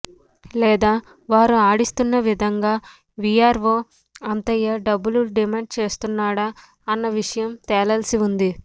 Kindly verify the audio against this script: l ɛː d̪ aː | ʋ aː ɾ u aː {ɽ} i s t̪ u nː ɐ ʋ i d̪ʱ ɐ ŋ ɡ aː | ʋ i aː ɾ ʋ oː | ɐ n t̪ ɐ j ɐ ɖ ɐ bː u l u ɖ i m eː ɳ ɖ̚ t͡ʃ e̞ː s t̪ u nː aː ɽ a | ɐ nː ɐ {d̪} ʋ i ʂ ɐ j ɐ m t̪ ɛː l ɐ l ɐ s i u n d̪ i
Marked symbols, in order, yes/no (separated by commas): yes, no